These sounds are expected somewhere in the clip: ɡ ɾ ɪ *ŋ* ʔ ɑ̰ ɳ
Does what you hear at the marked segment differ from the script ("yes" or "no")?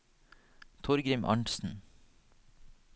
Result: yes